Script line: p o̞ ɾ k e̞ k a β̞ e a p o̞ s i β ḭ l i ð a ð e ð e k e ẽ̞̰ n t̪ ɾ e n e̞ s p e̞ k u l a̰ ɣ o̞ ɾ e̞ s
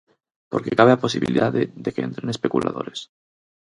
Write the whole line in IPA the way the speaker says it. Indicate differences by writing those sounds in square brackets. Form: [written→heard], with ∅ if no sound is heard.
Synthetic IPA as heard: p o̞ ɾ k e̞ k a β̞ e a p o̞ s i β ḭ l i ð a ð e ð e k e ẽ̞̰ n t̪ ɾ e n e̞ s p e̞ k u l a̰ [ɣ→ð] o̞ ɾ e̞ s

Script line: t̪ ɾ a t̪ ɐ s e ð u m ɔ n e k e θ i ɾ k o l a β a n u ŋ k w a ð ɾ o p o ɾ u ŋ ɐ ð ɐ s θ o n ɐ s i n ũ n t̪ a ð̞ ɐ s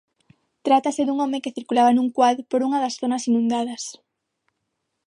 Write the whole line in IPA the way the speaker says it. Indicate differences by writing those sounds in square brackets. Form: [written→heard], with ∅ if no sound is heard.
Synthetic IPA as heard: t̪ ɾ a t̪ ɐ s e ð u [m→ŋ] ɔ [n→m] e k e θ i ɾ k [o→u] l a β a n u ŋ k w a ð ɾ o p o ɾ u ŋ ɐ ð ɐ s θ o n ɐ s i n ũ n [t̪→d̪] a ð̞ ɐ s

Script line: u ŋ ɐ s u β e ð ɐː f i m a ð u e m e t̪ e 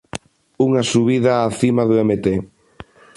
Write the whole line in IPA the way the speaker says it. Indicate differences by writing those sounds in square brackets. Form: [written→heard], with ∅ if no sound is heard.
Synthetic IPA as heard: u ŋ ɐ s u β [e→i] ð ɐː [f→θ] i m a ð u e m e t̪ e

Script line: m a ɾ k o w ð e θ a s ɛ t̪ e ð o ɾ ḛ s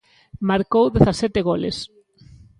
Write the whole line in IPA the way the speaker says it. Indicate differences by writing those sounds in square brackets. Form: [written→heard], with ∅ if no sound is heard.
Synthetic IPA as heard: m a ɾ k o w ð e θ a s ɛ t̪ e [ð→ɣ] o [ɾ→l] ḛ s

